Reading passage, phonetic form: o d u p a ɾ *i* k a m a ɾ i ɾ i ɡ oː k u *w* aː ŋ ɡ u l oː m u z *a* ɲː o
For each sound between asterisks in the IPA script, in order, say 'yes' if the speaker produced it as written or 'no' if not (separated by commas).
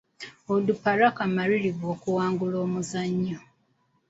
no, yes, yes